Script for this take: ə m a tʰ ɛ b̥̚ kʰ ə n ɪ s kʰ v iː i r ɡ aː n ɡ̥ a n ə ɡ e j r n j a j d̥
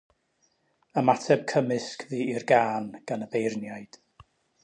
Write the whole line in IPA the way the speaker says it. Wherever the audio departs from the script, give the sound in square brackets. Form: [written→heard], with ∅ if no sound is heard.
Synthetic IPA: ə m a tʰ ɛ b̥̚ kʰ ə [n→m] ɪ s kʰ v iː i r ɡ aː n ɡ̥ a n ə [ɡ→b] e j r n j a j d̥